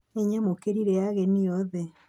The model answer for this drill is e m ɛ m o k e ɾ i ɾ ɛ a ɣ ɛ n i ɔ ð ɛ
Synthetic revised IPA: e ɲ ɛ m o k e ɾ i ɾ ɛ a ɣ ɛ n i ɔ ð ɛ